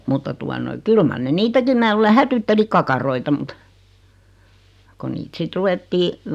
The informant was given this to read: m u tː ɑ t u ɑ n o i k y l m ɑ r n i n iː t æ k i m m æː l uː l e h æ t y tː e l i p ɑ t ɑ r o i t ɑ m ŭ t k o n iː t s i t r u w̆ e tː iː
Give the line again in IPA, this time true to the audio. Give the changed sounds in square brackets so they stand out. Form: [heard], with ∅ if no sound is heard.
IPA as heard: m u tː ɑ t u ɑ n o i k y l m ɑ r n [e] n iː t æ k i m m æː l uː l e h æ t y tː e l i [k] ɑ [k] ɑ r o i t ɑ m ŭ t k o n iː t s i t r u w̆ e tː iː